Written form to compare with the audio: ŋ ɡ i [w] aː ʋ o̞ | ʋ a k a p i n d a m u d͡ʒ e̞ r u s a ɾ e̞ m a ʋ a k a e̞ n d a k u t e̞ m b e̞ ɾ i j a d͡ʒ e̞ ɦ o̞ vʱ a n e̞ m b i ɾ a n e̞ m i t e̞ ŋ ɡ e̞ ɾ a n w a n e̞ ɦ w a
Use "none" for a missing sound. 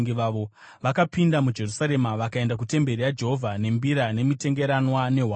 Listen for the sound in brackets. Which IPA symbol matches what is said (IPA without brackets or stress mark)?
ʋ